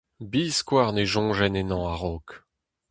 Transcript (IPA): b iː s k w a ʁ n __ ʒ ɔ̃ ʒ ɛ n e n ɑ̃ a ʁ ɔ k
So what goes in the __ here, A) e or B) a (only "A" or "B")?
A